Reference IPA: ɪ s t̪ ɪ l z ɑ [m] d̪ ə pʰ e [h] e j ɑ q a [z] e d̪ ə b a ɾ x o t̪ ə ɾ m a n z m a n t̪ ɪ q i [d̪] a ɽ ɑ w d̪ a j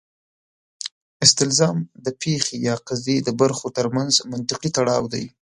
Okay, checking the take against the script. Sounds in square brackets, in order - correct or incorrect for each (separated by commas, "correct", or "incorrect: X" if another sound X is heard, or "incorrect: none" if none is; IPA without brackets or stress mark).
correct, incorrect: x, correct, incorrect: t̪